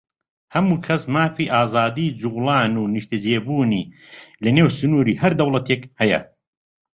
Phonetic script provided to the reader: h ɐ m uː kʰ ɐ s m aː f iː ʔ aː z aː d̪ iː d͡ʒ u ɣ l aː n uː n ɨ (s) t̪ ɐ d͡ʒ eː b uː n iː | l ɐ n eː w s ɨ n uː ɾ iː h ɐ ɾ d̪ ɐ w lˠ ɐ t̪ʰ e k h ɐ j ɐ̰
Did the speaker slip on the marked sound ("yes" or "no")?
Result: yes